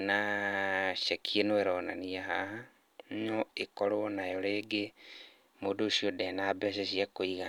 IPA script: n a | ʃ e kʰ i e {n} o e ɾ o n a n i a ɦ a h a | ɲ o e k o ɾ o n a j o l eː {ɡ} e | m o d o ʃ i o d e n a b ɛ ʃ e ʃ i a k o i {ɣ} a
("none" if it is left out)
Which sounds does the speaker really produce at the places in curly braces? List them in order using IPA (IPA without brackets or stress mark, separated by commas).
n, ɡ, ɣ